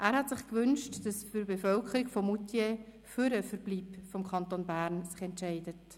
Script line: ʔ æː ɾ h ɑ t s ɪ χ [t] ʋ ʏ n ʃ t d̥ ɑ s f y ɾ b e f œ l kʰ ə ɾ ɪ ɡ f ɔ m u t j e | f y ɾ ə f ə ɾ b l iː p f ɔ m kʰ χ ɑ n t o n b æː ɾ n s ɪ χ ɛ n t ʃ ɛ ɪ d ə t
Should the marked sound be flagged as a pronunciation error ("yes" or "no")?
yes